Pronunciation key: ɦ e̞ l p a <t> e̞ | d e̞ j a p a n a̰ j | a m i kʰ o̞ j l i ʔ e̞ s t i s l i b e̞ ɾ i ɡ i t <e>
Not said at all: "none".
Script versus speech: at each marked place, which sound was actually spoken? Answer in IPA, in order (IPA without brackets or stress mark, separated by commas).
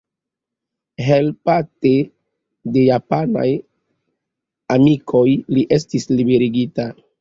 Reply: t, a